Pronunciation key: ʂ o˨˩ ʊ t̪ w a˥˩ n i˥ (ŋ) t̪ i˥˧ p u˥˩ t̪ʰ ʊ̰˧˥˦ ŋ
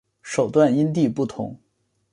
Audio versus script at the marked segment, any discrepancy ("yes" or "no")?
yes